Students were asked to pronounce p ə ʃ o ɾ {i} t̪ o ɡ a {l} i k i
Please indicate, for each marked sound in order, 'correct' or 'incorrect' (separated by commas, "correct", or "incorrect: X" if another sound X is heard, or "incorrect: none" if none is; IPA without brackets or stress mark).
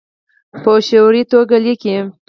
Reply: correct, correct